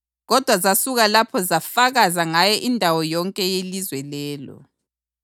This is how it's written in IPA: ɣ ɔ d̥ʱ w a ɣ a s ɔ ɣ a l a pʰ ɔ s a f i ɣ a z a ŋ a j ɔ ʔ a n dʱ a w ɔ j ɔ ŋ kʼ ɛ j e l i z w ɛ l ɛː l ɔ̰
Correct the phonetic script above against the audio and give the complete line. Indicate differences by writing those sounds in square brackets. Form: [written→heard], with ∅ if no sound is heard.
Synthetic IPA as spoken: ɣ ɔ d̥ʱ w a [ɣ→z] a s [ɔ→u] ɣ a l a pʰ ɔ [s→z] a f [i→a] ɣ a z a ŋ a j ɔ ʔ [a→i] n dʱ a w ɔ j ɔ ŋ kʼ ɛ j e l i z w ɛ l ɛː l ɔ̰